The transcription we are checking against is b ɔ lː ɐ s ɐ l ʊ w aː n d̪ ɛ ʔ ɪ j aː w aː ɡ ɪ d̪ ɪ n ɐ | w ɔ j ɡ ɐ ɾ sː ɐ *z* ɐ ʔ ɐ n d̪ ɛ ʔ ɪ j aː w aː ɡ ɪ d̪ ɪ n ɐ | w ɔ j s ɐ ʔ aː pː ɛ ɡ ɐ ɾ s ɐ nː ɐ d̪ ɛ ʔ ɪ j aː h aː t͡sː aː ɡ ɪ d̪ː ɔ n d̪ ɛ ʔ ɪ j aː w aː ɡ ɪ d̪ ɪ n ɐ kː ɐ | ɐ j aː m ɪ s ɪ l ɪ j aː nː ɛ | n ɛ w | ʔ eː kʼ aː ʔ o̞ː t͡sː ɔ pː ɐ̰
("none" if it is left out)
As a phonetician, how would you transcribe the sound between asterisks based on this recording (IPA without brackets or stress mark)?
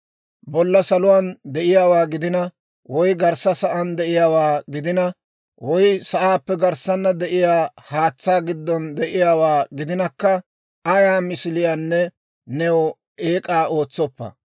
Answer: s